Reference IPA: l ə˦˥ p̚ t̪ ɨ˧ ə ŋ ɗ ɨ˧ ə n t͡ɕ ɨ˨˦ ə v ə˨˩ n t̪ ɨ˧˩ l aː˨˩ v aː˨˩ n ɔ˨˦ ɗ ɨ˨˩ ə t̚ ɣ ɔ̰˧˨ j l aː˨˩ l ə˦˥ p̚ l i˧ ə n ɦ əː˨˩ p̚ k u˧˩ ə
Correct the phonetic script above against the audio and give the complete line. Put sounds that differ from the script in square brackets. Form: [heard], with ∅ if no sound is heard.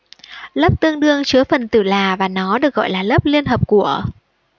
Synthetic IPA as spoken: l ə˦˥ p̚ t̪ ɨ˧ ə ŋ ɗ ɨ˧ ə [ŋ] t͡ɕ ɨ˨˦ ə [f] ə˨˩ n t̪ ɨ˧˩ l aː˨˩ v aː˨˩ n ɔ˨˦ ɗ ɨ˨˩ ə [k̚] ɣ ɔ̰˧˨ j l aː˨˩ l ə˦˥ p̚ l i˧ ə n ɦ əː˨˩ p̚ k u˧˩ ə